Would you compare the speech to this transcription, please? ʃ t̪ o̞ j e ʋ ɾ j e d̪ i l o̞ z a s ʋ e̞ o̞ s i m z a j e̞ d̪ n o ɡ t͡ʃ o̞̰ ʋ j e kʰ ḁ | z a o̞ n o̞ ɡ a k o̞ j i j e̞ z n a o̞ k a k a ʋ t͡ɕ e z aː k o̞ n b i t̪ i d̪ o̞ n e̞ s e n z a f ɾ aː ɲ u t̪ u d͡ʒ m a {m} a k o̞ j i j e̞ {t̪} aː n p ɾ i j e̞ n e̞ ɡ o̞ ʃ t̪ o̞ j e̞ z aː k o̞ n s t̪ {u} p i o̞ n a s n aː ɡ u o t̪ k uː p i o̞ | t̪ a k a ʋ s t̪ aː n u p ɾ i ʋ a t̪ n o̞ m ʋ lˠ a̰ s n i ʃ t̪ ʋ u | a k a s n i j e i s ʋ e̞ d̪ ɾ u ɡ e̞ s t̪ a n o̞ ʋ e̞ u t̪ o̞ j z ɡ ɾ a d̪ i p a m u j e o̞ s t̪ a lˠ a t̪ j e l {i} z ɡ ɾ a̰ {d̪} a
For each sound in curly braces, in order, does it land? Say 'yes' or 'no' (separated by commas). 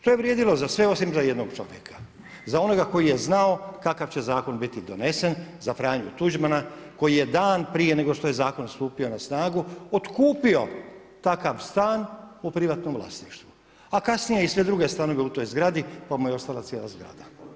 no, no, no, no, yes